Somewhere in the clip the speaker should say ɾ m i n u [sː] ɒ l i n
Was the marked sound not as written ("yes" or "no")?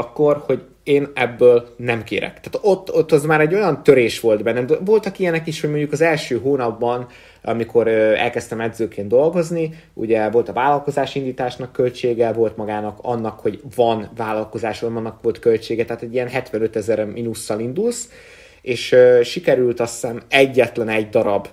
no